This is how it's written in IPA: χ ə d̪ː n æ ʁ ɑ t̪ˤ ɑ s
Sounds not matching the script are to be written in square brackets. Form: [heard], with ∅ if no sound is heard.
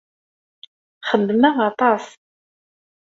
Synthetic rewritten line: χ ə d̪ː [m] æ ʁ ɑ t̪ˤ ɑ s